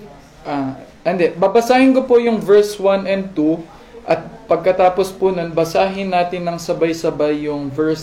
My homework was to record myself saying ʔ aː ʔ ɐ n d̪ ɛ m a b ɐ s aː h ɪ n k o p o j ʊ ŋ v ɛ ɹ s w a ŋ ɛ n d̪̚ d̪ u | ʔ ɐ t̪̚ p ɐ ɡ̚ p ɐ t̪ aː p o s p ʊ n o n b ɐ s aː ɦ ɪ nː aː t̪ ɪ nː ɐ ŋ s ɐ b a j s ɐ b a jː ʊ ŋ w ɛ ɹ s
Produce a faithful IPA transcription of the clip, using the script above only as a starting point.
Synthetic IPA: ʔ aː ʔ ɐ n d̪ ɛ b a b ɐ s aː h ɪ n k o p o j ʊ ŋ v ɛ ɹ s w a n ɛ n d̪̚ t̪ u | ʔ ɐ t̪̚ p ɐ ɡ̚ k ɐ t̪ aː p o s p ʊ n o n b ɐ s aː ɦ ɪ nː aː t̪ ɪ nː ɐ ŋ s ɐ b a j s ɐ b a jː ʊ ŋ v ɛ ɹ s